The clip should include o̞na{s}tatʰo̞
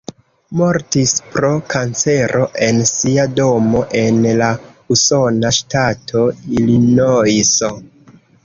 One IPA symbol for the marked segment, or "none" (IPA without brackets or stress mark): ʃ